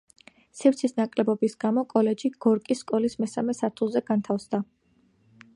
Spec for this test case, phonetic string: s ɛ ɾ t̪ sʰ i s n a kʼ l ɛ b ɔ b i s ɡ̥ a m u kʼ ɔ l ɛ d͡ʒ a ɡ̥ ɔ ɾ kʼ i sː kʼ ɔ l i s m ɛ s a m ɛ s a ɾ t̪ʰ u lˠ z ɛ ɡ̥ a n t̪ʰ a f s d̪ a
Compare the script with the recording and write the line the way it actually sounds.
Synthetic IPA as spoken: s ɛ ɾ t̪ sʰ i s n a kʼ l ɛ b ɔ b i s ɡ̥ a m ɔ kʼ ɔ l ɛ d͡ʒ i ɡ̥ ɔ ɾ kʼ i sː kʼ ɔ l i s m ɛ s a m ɛ s a ɾ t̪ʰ u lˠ z ɛ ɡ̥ a n t̪ʰ a f s d̪ a